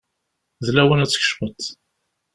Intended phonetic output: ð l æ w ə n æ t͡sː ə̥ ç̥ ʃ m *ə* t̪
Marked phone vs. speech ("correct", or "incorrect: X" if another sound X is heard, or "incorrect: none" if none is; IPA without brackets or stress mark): correct